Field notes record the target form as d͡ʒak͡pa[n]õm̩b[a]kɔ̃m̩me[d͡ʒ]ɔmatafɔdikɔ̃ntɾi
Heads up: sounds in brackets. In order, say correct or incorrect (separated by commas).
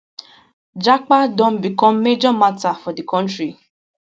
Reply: incorrect, incorrect, correct